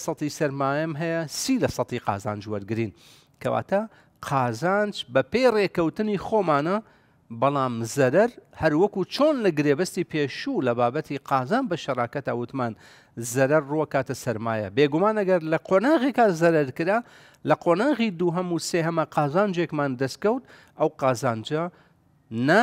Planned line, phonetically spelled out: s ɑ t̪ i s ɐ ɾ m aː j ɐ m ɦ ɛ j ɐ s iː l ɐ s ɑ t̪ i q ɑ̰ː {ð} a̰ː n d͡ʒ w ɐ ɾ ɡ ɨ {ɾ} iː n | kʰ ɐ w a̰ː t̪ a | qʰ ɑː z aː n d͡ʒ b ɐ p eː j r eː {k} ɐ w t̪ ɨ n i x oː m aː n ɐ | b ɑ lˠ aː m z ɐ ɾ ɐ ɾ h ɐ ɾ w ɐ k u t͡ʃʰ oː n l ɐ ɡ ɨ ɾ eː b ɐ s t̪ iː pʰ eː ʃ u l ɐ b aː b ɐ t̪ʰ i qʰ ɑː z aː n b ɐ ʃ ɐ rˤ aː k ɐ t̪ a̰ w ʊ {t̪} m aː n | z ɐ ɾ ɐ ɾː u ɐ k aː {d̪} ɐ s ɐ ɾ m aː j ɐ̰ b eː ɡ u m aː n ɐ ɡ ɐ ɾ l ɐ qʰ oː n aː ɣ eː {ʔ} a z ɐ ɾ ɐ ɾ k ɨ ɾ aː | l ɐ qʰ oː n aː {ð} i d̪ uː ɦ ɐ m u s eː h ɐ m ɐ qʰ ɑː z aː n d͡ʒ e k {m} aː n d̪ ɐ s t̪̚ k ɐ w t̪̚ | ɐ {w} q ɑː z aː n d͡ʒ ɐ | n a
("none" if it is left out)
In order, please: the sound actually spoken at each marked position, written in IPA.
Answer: z, ɾ, k, t̪, t̪, k, ɣ, m, w

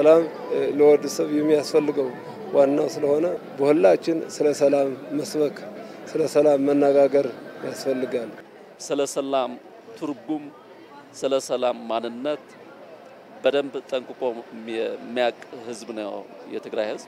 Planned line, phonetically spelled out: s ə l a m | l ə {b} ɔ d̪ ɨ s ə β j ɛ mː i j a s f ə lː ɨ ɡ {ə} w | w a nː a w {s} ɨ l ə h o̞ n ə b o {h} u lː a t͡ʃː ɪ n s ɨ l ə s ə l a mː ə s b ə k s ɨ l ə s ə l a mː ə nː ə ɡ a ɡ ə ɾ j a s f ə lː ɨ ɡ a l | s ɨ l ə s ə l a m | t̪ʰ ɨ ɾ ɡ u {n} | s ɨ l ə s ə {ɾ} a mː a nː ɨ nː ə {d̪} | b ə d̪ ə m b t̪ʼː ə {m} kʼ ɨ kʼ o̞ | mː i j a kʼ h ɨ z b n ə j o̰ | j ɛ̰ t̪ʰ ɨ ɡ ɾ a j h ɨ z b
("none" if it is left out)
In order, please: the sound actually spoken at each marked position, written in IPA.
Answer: w, ə, s, h, m, l, t̪, ŋ

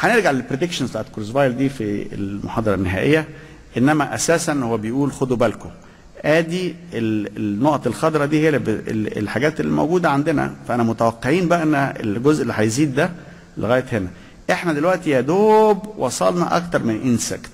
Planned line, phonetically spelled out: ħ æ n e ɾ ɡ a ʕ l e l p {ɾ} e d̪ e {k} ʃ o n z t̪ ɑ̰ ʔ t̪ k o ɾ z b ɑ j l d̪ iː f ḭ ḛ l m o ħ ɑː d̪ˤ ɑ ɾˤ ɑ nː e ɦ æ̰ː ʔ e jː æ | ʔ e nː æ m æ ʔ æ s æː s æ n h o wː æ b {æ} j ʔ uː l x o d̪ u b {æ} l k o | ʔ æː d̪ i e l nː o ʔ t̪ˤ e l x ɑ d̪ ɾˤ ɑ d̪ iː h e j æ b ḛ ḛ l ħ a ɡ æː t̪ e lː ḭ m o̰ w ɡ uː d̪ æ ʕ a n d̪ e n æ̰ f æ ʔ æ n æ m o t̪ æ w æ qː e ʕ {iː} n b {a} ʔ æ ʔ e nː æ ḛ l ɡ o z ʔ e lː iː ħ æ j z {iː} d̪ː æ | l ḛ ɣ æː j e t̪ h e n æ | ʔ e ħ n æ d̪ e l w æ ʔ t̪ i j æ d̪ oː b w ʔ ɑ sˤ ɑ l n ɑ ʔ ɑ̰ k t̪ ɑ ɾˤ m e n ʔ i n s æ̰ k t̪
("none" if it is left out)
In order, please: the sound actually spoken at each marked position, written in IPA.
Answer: ɾ, k, e, æ, iː, æ, iː

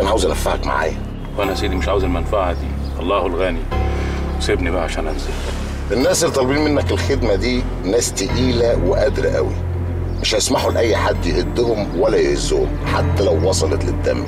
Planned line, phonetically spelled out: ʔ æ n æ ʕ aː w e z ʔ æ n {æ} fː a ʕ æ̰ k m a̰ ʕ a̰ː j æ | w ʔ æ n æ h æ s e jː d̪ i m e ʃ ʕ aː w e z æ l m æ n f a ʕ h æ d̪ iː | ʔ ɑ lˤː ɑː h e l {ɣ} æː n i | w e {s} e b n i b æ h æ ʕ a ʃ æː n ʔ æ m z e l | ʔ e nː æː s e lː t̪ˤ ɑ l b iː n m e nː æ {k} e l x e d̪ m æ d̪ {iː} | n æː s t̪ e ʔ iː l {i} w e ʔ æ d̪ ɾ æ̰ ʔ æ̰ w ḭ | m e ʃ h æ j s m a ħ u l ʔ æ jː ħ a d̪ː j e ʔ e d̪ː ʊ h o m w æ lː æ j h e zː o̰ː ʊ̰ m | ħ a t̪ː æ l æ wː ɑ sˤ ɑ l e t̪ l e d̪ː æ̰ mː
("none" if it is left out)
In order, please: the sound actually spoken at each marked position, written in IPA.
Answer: æ, ɣ, s, k, iː, æ

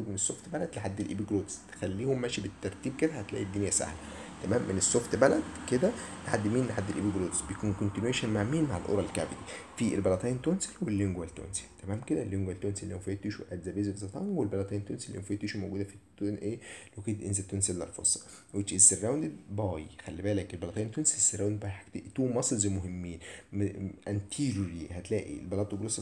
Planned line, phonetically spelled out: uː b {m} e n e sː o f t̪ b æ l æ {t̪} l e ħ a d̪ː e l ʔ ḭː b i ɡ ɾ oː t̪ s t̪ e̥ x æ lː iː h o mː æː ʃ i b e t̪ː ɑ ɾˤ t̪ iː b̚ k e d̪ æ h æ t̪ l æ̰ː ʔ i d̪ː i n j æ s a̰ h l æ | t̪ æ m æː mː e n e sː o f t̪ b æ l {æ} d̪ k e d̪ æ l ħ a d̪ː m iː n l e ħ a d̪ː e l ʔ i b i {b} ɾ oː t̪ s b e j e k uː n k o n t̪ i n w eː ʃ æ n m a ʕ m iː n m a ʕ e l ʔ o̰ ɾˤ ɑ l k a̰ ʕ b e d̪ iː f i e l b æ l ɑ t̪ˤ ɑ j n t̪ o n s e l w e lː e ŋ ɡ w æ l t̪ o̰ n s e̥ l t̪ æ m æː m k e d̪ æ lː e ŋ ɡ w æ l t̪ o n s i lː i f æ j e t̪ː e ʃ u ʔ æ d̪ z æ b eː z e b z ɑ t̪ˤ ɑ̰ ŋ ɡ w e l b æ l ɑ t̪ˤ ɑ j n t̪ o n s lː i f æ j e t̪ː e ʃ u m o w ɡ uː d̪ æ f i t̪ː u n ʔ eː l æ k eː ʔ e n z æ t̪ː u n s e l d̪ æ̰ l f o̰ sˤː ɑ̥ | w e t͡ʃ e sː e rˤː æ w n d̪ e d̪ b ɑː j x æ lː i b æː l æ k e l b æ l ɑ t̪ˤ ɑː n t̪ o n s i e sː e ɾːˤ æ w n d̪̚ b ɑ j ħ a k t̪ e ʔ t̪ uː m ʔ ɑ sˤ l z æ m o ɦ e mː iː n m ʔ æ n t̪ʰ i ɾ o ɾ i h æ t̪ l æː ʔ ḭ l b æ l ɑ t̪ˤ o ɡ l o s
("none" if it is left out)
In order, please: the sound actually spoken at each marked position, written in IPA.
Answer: m, d̪, æ, ɡ

